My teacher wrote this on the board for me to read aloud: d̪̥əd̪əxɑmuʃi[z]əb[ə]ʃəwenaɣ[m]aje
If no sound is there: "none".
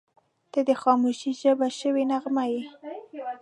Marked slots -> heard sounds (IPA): ʒ, a, m

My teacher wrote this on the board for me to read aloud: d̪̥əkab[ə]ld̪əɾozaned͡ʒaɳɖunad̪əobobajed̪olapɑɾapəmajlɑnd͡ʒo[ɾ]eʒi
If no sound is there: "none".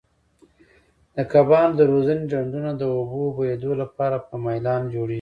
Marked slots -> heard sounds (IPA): ɑ, ɽ

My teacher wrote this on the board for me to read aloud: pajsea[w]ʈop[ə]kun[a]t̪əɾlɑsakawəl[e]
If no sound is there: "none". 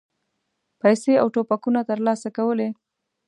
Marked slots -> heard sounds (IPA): w, a, a, e

